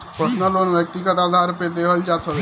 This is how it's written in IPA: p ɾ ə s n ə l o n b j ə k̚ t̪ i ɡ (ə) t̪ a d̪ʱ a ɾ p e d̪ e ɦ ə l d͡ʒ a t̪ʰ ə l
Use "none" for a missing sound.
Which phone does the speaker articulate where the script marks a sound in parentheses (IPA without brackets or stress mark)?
ə